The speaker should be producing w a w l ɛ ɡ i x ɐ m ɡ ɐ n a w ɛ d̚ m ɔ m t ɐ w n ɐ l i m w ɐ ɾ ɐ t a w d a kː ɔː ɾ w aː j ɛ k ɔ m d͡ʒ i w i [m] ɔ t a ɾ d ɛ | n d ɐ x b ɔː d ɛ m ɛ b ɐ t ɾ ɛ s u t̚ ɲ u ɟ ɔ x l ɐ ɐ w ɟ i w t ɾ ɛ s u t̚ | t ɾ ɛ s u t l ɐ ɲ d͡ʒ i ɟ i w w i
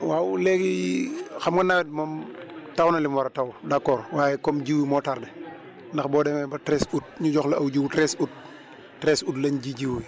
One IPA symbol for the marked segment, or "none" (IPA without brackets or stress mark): m